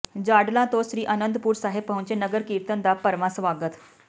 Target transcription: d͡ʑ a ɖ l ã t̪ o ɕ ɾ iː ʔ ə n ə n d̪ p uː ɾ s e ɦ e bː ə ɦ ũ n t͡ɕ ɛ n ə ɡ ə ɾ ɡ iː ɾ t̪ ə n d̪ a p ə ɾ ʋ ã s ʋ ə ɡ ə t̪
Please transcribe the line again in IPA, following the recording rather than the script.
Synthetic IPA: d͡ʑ a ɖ l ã t̪ o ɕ ɾ iː ʔ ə n ə n d̪ p uː ɾ s a ɦ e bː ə ɦ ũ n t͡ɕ e n ə ɡ ə ɾ k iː ɾ t̪ ə n d̪ a p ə ɾ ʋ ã s ʋ a ɡ ə t̪

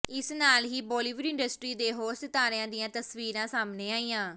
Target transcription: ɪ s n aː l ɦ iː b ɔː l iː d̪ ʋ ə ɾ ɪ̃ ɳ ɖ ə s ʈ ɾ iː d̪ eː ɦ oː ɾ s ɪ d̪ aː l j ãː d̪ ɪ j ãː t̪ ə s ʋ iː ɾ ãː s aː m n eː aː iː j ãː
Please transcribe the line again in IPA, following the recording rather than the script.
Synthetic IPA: ɪ s n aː l ɦ iː b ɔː l iː ʋ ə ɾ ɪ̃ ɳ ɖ ə s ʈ ɾ iː d̪ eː ɦ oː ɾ s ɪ t̪ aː ɾ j ãː d̪ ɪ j ãː t̪ ə s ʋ iː ɾ ãː s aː m n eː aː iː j ãː

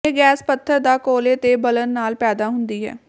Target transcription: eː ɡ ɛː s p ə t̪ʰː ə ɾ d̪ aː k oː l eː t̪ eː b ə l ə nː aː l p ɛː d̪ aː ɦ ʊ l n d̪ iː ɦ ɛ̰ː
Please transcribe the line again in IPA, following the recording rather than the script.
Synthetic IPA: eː ɡ ɛː s p ə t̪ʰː ə ɾ d̪ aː k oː l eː t̪ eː b ə l ə nː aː l p ɛː d̪ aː ɦ ʊ n d̪ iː ɦ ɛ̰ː

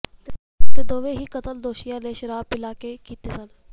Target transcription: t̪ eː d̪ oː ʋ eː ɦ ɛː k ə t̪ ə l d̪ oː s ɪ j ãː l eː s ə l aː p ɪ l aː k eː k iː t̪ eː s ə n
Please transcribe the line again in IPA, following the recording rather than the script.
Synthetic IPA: t̪ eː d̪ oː ʋ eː ɦ iː k ə t̪ ə l d̪ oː ʃ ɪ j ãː l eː ʃ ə ɾ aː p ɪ l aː k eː k iː t̪ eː s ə n

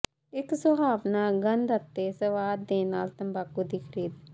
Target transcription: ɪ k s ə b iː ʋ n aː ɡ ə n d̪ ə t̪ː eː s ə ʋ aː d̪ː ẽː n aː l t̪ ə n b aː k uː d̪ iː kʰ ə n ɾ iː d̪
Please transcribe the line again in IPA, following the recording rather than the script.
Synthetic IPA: ɪ k s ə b aː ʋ n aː ɡ ə n d̪ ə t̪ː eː s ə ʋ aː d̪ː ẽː n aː l t̪ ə m b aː k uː d̪ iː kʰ ə ɾ iː d̪

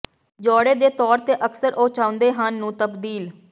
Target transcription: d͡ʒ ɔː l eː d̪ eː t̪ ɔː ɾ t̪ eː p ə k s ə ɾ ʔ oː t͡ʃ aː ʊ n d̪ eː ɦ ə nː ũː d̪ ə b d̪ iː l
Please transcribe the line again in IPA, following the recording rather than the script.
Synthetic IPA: d͡ʒ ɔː ɽ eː d̪ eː t̪ ɔː ɾ t̪ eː ʔ ə k s ə ɾ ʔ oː t͡ʃ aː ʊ n d̪ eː ɦ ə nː ũː t̪ ə b d̪ iː l

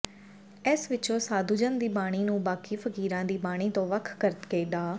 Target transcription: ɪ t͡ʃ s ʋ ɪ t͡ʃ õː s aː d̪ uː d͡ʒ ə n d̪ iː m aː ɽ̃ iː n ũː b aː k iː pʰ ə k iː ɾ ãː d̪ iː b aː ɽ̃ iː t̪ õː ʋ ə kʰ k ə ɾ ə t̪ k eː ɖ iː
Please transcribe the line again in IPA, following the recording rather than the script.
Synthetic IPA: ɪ s ʋ ɪ t͡ʃ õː s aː d̪ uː d͡ʒ ə n d̪ iː b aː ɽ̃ iː n ũː b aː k iː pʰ ə k iː ɾ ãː d̪ iː b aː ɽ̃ iː t̪ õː ʋ ə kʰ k ə ɾ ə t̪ k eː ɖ aː

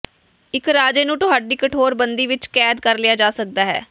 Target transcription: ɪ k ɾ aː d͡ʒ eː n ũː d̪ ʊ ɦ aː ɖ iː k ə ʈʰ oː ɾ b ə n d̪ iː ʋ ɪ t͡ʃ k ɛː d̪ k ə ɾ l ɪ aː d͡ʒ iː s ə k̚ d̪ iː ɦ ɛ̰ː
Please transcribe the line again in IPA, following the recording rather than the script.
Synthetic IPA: ɪ k ɾ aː d͡ʒ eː n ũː t̪ ʊ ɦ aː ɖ iː k ə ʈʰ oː ɾ b ə n d̪ iː ʋ ɪ t͡ʃ k ɛː d̪ k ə ɾ l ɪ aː d͡ʒ aː s ə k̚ d̪ aː ɦ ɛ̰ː

